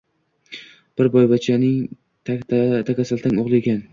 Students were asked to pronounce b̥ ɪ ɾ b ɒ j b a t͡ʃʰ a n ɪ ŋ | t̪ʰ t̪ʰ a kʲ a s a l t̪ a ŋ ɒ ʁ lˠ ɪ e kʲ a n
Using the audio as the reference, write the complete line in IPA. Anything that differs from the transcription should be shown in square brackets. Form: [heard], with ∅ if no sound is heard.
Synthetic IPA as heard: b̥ ɪ ɾ b ɒ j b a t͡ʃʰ a n ɪ ŋ | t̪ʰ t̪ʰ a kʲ a s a l t̪ a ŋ [o] ʁ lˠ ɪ e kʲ a n